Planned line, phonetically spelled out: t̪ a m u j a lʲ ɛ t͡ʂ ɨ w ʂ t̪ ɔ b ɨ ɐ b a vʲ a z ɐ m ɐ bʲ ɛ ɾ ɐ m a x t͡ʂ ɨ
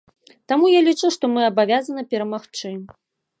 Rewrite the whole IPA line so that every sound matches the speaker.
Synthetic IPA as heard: t̪ a m u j a lʲ i t͡ʂ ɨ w ʂ t̪ ɔ m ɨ ɐ b a vʲ a z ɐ n ɐ pʲ ɛ ɾ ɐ m a x t͡ʂ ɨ